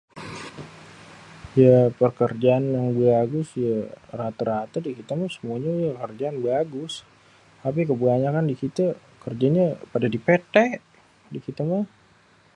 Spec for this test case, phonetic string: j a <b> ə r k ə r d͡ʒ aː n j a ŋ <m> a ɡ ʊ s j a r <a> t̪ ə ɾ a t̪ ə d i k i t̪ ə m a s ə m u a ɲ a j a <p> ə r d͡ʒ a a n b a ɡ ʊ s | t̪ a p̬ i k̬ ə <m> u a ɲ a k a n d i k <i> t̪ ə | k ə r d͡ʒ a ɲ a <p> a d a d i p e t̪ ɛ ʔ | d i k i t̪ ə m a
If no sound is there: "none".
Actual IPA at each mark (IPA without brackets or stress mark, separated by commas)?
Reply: p, b, a, k, b, i, p